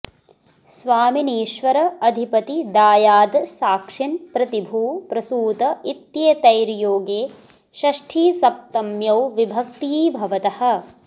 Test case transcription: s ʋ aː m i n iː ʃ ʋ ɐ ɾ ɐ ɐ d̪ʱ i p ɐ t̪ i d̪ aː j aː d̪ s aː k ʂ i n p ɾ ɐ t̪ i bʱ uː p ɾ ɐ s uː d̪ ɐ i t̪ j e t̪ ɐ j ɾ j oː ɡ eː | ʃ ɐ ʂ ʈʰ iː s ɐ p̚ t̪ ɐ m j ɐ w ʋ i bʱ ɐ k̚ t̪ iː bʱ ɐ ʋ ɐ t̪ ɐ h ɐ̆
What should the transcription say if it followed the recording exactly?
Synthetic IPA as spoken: s ʋ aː m i n iː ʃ ʋ ɐ ɾ ɐ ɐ d̪ʱ i p ɐ t̪ i d̪ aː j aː d̪ s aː k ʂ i n p ɾ ɐ t̪ i bʱ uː p ɾ ɐ s uː t̪ ɐ i t̪ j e t̪ ɐ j ɾ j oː ɡ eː | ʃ ɐ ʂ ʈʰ iː s ɐ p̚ t̪ ɐ m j ɐ w ʋ i bʱ ɐ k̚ t̪ iː bʱ ɐ ʋ ɐ t̪ ɐ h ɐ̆